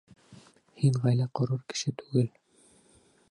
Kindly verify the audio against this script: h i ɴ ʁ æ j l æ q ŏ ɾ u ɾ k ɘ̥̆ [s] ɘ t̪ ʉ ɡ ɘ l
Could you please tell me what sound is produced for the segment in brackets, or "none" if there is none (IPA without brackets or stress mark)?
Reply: ʃ